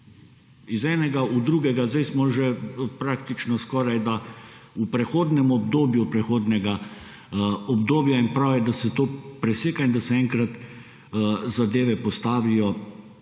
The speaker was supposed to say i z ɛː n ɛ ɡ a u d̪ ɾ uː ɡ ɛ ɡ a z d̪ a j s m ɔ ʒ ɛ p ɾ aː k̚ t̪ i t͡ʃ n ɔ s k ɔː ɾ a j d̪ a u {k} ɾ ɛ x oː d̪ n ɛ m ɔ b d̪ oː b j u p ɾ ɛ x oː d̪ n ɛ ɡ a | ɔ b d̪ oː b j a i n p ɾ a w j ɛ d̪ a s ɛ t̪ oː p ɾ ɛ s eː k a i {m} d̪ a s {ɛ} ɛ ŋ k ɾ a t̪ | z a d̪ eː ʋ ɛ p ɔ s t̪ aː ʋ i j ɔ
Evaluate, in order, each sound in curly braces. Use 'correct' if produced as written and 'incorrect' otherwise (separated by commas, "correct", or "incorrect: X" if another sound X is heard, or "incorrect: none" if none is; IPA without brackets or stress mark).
incorrect: p, incorrect: n, correct